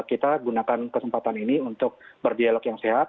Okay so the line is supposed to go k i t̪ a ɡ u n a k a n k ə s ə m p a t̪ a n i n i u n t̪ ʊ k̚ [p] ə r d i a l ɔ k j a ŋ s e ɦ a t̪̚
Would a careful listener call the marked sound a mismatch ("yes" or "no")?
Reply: yes